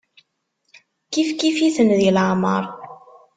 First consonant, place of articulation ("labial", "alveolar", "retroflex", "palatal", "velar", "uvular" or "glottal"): velar